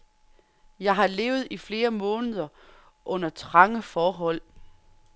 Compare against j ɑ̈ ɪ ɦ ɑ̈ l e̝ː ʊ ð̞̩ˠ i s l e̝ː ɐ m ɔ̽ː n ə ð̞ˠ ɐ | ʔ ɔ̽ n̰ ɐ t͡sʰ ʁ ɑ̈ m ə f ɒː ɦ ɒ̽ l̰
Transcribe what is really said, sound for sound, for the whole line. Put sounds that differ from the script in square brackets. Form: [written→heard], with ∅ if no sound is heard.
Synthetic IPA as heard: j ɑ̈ ɪ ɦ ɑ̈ l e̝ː ʊ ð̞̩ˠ i [s→f] l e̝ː ɐ m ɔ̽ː n ə ð̞ˠ ɐ | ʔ ɔ̽ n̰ ɐ t͡sʰ ʁ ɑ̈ [m→ŋ] ə f ɒː ɦ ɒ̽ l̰